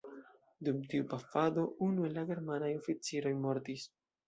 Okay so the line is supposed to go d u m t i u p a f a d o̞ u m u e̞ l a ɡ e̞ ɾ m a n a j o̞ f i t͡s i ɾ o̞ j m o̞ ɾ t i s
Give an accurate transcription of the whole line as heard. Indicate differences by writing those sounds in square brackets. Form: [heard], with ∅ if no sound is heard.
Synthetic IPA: d u m t i u p a f a d o̞ u [n] u e̞ l a ɡ e̞ ɾ m a n a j o̞ f i t͡s i ɾ o̞ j m o̞ ɾ t i s